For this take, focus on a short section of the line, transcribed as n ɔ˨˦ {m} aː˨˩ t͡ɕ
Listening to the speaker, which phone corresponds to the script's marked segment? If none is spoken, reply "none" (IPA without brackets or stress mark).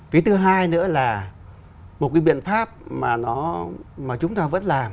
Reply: m